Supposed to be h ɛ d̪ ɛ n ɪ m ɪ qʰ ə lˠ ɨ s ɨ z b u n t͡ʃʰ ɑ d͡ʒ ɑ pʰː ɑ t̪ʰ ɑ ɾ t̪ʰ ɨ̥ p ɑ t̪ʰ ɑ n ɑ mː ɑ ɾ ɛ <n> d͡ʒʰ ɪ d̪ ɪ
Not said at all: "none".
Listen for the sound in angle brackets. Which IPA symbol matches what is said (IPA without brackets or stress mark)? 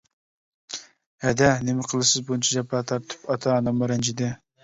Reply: n